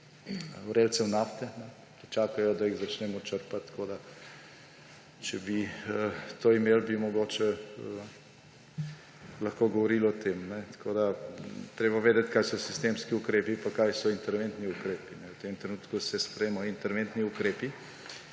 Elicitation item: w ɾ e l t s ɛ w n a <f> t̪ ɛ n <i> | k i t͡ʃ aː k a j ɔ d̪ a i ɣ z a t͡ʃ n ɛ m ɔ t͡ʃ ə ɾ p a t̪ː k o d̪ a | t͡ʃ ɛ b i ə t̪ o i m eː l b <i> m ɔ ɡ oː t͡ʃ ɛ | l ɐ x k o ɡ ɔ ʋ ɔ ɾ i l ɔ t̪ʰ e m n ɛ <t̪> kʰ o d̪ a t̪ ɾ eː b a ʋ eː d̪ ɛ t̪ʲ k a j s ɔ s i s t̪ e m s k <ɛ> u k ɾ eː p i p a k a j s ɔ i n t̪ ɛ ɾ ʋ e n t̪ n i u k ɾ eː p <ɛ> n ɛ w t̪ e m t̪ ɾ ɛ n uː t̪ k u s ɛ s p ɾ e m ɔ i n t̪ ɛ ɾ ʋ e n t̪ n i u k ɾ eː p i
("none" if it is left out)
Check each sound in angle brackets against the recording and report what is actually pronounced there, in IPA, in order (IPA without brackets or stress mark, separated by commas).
f, ɛ, i, t̪, i, i